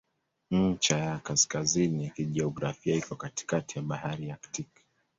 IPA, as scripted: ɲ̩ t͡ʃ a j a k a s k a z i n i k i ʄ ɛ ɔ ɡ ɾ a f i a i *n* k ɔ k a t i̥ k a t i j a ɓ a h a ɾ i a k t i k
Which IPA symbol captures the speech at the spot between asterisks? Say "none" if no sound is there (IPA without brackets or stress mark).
none